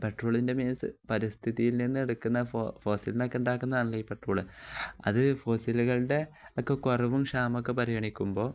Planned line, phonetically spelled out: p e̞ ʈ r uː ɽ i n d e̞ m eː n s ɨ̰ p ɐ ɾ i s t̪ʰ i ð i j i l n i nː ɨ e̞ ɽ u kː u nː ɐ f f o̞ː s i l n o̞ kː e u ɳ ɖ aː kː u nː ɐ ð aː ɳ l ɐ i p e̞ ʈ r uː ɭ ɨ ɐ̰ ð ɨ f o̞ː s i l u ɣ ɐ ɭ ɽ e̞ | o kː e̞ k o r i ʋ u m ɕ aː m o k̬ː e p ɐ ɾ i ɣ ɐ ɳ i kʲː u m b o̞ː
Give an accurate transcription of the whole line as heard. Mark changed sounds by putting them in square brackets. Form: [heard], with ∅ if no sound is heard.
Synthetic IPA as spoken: p e̞ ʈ r uː [ɭ] i n d e̞ m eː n s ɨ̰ p ɐ ɾ i s t̪ʰ i ð i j i l n i nː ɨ e̞ ɽ u kː u nː ɐ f f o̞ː s i l n o̞ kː e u ɳ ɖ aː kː u nː ɐ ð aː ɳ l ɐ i p e̞ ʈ r uː ɭ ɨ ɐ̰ ð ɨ f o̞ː s i l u ɣ ɐ ɭ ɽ e̞ | o kː e̞ k o r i ʋ u m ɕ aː m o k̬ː e p ɐ ɾ i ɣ ɐ ɳ i kʲː u m b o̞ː

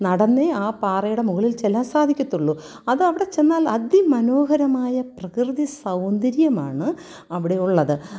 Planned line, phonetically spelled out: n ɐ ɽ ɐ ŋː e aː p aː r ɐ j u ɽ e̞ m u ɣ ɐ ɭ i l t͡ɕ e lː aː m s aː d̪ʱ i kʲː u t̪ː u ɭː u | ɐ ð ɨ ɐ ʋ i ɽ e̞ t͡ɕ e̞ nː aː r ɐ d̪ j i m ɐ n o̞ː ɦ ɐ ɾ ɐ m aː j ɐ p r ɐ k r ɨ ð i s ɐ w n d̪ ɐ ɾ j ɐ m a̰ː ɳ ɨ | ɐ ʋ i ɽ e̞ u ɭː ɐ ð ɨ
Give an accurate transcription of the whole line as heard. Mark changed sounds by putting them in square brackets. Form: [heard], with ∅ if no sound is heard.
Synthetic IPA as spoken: n ɐ ɽ ɐ [nː] e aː p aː r ɐ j u ɽ e̞ m u ɣ ɐ ɭ i l t͡ɕ e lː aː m s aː d̪ʱ i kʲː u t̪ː u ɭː u | ɐ ð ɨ ɐ ʋ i ɽ e̞ t͡ɕ e̞ nː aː [l] ɐ d̪ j i m ɐ n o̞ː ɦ ɐ ɾ ɐ m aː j ɐ p r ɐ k r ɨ ð i s ɐ w n d̪ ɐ ɾ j ɐ m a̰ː ɳ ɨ | ɐ ʋ i ɽ e̞ u ɭː ɐ ð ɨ

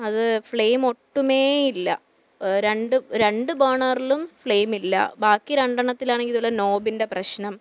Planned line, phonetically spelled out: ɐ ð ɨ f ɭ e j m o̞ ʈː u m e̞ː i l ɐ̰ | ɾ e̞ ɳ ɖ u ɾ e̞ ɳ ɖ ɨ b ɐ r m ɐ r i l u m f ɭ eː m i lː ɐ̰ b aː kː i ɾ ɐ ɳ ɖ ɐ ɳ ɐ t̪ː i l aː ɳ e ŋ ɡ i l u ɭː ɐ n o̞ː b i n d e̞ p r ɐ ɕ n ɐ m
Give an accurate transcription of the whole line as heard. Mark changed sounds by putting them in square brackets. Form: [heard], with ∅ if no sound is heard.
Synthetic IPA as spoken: ɐ ð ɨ f ɭ e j m o̞ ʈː u m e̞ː i [lː] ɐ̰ | ɾ e̞ ɳ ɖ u ɾ e̞ ɳ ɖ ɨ b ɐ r [ɳ] ɐ r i l u m f ɭ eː m i lː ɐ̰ b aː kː i ɾ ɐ ɳ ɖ ɐ ɳ ɐ t̪ː i l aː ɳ e ŋ ɡ i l u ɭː ɐ n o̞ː b i n d e̞ p r ɐ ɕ n ɐ m

